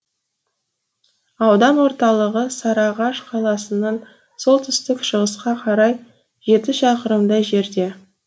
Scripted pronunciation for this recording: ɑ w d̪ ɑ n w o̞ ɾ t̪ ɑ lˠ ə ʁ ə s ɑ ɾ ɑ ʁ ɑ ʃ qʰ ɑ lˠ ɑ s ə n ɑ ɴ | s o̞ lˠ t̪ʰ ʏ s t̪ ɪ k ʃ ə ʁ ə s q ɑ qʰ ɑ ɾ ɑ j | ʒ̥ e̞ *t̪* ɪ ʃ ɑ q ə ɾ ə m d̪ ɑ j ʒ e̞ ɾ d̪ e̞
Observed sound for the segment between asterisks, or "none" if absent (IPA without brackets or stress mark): t̪